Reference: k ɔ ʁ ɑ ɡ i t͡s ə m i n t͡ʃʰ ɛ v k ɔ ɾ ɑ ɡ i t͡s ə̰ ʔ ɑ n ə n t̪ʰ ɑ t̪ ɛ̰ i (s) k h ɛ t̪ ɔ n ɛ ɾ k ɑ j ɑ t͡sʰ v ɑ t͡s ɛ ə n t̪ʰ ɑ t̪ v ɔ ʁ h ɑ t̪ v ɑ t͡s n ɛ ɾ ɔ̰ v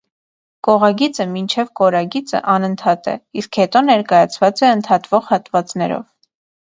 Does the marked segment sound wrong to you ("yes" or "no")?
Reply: no